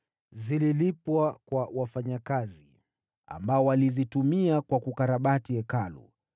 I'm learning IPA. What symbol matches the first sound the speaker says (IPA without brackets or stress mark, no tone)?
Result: z